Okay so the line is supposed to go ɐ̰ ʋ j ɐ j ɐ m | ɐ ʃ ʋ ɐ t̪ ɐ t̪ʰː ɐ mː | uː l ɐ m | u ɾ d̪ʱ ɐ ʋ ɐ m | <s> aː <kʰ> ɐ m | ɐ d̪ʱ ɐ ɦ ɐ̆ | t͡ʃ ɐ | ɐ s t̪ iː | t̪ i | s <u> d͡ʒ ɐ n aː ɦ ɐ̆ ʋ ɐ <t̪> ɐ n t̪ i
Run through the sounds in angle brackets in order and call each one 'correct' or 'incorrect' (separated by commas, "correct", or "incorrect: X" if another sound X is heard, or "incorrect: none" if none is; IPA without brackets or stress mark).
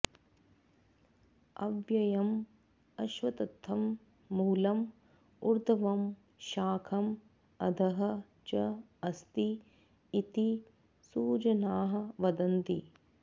incorrect: ʃ, correct, incorrect: uː, incorrect: d̪